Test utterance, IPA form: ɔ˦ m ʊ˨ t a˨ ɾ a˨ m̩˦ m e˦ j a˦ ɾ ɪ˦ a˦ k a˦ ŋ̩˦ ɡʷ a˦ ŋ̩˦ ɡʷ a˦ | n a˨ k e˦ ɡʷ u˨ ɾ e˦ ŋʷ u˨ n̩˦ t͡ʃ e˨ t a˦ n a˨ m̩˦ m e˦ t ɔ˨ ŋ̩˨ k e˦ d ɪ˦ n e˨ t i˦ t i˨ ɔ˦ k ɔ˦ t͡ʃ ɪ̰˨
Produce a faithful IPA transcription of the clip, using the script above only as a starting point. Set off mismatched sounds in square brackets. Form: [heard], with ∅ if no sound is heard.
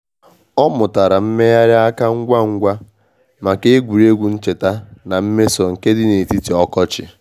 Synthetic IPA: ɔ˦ m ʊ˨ t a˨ ɾ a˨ m̩˦ m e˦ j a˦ ɾ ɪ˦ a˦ k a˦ ŋ̩˦ ɡʷ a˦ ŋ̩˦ ɡʷ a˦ | [m] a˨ k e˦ ɡʷ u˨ ɾ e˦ [ɡʷ] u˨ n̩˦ t͡ʃ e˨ t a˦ n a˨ m̩˦ m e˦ [s] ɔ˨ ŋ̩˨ k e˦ d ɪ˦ n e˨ t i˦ t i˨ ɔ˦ k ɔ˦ t͡ʃ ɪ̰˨